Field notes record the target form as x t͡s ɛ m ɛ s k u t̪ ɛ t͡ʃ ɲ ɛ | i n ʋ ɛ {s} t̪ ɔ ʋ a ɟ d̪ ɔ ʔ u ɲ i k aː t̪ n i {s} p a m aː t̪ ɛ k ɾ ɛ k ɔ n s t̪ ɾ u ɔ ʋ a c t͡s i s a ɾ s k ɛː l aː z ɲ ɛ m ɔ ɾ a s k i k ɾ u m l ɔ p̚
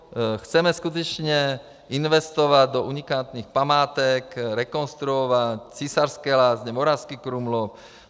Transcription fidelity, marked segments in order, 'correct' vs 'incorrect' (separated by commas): correct, incorrect